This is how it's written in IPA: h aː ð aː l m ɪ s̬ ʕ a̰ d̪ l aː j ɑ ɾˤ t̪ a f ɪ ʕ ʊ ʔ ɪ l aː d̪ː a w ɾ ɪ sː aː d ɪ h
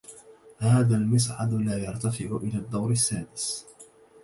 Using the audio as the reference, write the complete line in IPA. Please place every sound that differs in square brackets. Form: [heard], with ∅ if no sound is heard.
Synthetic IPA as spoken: h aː ð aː l m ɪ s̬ ʕ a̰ d̪ l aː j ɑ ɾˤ t̪ a f ɪ ʕ ʊ ʔ ɪ l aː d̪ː a w ɾ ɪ sː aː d ɪ [s]